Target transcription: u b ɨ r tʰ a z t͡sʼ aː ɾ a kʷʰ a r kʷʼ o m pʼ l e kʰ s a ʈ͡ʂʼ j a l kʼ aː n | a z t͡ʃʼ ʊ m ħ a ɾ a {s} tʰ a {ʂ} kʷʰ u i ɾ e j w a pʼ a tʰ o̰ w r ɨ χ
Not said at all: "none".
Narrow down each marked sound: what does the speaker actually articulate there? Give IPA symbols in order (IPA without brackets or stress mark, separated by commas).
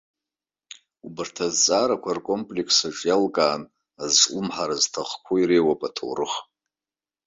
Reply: z, χ